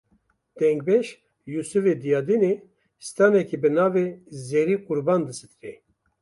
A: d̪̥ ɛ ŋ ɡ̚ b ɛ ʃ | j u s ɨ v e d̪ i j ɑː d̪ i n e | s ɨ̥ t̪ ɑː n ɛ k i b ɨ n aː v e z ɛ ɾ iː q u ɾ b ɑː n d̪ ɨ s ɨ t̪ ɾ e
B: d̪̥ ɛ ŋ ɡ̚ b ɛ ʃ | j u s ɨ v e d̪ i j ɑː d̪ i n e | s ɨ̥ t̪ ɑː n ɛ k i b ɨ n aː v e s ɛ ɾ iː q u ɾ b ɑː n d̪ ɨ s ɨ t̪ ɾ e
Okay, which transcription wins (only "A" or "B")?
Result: A